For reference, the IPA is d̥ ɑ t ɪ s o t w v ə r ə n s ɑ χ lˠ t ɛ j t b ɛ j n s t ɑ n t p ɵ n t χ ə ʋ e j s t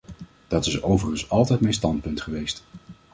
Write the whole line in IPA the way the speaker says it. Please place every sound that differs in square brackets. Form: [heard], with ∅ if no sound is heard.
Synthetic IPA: d̥ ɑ t ɪ s o [∅] w v ə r ə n s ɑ [∅] lˠ t ɛ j t [m] ɛ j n s t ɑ n t p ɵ n t χ ə ʋ e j s t

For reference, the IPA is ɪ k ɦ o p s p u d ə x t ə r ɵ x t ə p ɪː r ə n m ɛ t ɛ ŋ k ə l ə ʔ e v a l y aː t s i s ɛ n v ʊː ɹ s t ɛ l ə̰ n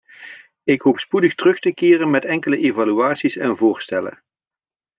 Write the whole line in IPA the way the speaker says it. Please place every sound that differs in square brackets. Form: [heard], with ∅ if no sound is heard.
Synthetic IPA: ɪ k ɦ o p s p u d ə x t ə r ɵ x t ə [k] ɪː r ə n m ɛ t ɛ ŋ k ə l ə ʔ e v a l y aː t s i s ɛ n v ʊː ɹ s t ɛ l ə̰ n

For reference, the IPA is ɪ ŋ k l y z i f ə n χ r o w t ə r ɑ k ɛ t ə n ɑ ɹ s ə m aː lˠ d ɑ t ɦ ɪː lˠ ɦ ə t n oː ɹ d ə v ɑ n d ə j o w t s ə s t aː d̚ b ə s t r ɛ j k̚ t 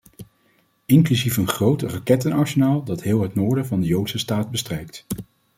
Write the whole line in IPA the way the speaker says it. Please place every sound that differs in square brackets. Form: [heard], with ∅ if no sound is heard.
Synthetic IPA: ɪ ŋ k l y z i f ə n χ r o w t ə r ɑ k ɛ t ə n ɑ ɹ s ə [n] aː lˠ d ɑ t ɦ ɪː lˠ ɦ ə t n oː ɹ d ə v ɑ n d ə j o w t s ə s t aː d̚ b ə s t r ɛ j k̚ t

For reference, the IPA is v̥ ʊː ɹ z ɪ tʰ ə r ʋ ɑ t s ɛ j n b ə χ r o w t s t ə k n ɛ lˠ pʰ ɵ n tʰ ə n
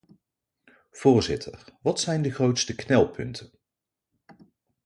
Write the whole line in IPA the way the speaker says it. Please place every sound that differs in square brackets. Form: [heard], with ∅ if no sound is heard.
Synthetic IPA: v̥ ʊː ɹ z ɪ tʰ ə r ʋ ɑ t s ɛ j n [d] ə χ r o w t s t ə k n ɛ lˠ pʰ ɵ n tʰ ə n

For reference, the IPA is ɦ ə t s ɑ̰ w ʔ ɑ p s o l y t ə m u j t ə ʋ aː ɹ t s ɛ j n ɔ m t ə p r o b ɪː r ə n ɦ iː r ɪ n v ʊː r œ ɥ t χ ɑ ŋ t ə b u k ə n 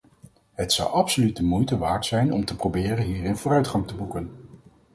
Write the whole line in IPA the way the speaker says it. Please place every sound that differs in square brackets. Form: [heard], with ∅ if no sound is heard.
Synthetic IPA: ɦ ə t s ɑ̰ w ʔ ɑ p s o l y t ə m u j t ə ʋ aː ɹ t s ɛ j n ɔ m t ə p r o b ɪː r ə n ɦ iː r ɪ n v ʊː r œ ɥ t χ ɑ ŋ t ə b u k ə n

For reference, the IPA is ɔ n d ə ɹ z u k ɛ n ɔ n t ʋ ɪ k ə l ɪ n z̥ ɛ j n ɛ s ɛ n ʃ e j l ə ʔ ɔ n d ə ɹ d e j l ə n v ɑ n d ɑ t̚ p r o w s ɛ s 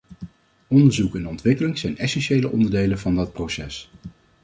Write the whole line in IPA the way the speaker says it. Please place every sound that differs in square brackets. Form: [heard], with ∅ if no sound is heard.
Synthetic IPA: ɔ n d ə ɹ z u k ɛ n ɔ n t ʋ ɪ k ə l ɪ [ŋ] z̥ ɛ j n ɛ s ɛ n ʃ e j l ə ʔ ɔ n d ə ɹ d e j l ə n v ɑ n d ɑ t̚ p r o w s ɛ s

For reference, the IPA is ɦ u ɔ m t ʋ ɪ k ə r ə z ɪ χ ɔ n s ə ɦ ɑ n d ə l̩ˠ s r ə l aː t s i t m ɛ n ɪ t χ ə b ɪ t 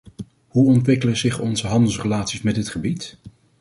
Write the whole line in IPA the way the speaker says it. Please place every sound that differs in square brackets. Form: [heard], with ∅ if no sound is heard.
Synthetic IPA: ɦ u ɔ [n] t ʋ ɪ k ə [l] ə z ɪ χ ɔ n [z] ə ɦ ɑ n d ə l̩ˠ s r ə l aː t s i [s] m ɛ [d] ɪ t χ ə b [i] t

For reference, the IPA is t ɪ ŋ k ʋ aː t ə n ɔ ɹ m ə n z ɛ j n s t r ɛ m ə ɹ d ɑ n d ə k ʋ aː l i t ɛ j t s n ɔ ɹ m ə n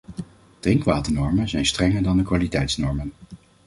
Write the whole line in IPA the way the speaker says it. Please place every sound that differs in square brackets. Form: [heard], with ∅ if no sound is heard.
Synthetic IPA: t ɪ ŋ k ʋ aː t ə n ɔ ɹ m ə n z ɛ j n s t r ɛ [ŋ] ə ɹ d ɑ n d ə k ʋ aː l i t ɛ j t s n ɔ ɹ m ə n

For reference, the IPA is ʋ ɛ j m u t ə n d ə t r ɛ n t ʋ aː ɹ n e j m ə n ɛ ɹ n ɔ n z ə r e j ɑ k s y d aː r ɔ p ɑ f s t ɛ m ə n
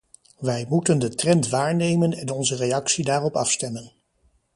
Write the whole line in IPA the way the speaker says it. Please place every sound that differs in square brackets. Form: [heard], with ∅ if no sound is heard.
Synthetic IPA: ʋ ɛ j m u t ə n d ə t r ɛ n t ʋ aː ɹ n e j m ə n ɛ [∅] n ɔ n z ə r e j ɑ k s [i] d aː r ɔ p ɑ f s t ɛ m ə n

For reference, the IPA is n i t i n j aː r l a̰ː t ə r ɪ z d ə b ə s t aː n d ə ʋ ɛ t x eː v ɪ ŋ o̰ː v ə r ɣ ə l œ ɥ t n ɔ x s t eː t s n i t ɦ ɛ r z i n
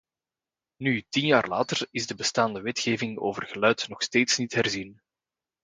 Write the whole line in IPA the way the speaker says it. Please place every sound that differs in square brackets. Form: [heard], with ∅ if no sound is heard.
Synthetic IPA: n [y] t i n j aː r l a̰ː t ə r ɪ z d ə b ə s t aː n d ə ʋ ɛ t x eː v ɪ ŋ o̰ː v ə r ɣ ə l œ ɥ t n ɔ x s t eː t s n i t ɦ ɛ r z i n

